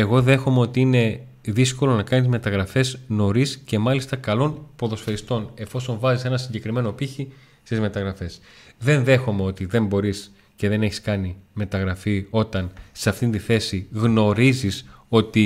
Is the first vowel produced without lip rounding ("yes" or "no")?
yes